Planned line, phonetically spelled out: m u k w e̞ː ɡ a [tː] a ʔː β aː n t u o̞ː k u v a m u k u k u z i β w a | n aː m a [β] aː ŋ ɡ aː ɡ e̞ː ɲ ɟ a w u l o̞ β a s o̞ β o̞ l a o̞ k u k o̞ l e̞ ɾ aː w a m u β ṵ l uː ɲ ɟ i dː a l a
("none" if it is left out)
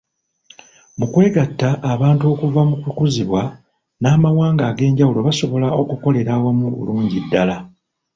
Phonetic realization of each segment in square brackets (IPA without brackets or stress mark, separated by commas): tː, w